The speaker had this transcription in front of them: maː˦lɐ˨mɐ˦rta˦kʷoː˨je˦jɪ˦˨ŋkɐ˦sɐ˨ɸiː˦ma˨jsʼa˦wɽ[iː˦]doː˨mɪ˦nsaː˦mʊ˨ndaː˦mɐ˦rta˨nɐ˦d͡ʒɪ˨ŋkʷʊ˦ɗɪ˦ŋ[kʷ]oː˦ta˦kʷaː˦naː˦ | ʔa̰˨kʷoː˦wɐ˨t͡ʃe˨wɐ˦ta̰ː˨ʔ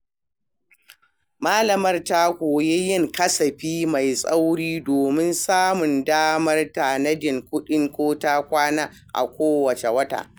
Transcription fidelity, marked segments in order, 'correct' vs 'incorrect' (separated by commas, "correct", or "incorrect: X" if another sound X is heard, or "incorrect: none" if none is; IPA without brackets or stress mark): correct, correct